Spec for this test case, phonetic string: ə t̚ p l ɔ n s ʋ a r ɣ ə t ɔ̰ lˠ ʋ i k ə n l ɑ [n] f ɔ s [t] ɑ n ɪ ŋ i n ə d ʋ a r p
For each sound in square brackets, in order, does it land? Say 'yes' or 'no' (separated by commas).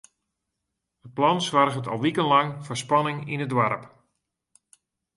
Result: no, no